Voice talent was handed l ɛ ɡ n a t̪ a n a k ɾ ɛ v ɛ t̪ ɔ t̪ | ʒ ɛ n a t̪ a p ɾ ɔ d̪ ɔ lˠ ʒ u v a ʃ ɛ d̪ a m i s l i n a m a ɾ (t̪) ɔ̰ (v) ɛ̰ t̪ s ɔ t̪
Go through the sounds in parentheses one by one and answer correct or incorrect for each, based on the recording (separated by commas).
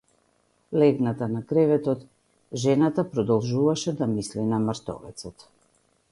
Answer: correct, correct